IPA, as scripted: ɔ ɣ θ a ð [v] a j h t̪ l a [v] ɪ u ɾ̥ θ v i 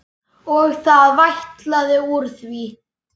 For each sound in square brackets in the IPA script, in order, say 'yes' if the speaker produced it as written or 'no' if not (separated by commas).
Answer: yes, no